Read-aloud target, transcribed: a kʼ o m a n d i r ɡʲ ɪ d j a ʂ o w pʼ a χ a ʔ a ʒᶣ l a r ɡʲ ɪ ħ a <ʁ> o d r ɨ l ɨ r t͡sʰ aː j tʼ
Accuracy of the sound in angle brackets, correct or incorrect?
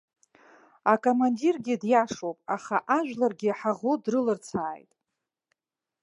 correct